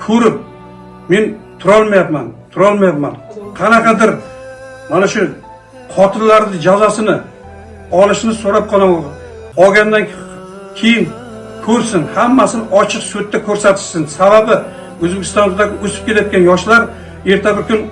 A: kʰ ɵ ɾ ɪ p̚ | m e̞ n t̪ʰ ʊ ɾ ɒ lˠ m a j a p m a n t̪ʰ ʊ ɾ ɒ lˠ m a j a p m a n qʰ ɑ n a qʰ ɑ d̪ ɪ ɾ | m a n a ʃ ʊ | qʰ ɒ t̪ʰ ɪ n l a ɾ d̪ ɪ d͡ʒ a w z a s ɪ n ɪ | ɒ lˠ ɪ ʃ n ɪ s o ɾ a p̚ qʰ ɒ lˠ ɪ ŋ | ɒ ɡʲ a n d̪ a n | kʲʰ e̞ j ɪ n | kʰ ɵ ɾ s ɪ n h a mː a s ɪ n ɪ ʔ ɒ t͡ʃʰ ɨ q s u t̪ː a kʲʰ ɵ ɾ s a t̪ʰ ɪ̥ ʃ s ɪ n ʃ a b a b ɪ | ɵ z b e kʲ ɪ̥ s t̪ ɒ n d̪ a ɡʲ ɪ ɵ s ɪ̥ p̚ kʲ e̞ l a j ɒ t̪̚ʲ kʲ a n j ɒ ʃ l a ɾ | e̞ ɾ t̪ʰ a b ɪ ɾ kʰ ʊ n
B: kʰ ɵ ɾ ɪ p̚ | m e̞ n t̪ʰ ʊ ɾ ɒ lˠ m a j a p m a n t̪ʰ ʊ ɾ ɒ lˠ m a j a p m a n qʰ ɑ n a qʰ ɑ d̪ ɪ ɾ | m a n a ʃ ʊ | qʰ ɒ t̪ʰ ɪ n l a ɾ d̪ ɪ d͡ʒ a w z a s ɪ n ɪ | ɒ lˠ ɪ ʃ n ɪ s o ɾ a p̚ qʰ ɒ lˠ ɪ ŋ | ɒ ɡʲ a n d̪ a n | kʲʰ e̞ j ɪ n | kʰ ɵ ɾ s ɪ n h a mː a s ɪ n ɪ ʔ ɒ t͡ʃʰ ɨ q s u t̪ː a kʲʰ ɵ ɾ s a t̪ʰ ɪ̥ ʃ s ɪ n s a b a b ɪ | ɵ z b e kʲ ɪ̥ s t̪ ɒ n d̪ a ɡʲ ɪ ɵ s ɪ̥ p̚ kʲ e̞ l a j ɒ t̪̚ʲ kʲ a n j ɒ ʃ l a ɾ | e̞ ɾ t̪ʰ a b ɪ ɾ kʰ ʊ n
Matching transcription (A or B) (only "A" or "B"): B